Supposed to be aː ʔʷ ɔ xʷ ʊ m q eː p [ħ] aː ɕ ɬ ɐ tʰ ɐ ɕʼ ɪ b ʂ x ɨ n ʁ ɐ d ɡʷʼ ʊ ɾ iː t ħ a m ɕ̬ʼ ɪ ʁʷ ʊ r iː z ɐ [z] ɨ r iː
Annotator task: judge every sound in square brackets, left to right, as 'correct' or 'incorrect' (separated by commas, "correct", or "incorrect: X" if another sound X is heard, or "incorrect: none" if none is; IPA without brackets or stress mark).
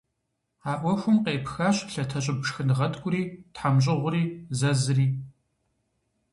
incorrect: x, correct